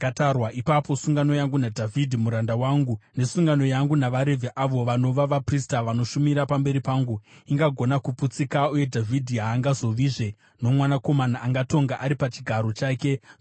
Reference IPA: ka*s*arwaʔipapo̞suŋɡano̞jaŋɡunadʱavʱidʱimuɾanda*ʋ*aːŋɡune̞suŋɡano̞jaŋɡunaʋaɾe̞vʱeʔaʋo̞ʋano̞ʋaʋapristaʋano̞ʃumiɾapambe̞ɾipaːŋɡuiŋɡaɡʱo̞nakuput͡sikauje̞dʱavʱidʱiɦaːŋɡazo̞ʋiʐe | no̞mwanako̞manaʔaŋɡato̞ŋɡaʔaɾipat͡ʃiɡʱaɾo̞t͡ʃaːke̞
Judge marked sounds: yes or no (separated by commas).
no, no